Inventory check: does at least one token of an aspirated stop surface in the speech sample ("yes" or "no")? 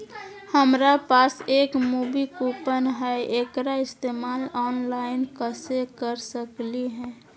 no